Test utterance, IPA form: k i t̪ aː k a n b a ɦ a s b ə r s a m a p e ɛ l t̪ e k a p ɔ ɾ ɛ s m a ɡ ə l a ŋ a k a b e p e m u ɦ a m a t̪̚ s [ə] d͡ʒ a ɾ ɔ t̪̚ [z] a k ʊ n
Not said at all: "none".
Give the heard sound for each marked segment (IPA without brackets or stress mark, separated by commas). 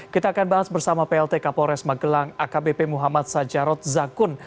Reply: a, z